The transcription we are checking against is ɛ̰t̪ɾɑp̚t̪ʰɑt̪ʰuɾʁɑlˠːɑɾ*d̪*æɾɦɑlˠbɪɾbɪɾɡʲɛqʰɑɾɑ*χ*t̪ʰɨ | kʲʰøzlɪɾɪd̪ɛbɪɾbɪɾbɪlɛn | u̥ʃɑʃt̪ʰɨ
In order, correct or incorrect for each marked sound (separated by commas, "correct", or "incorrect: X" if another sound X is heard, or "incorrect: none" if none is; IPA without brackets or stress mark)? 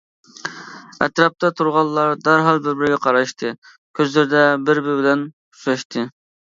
correct, incorrect: ʃ